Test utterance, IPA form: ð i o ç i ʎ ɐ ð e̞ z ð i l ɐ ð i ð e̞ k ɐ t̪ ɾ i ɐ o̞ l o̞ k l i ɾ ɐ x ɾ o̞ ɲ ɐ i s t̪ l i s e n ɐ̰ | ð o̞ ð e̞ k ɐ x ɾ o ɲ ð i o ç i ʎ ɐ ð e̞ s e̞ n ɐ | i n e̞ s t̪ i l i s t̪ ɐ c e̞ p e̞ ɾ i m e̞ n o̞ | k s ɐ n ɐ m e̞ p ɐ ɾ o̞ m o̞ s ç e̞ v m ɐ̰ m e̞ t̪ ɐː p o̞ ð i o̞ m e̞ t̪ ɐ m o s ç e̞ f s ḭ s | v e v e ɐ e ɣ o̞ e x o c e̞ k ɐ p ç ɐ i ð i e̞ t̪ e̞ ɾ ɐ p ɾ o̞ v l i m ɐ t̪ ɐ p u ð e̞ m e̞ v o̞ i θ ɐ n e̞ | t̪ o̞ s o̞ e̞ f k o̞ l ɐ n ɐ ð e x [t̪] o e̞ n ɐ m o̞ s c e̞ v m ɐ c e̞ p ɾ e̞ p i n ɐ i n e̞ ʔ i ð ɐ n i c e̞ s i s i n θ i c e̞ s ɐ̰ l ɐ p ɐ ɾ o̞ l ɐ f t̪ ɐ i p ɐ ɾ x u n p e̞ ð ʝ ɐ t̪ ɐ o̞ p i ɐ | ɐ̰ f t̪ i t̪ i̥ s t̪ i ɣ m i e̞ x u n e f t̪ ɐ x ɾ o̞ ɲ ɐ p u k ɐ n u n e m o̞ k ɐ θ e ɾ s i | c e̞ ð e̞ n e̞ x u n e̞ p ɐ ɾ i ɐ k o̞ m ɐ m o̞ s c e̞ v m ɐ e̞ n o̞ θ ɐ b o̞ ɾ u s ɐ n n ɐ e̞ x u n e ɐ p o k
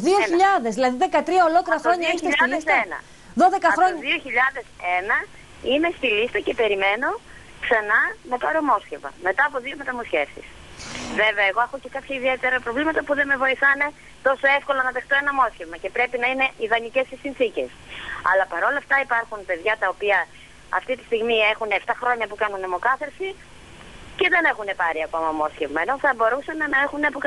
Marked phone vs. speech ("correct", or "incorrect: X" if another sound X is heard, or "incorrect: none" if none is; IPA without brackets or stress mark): correct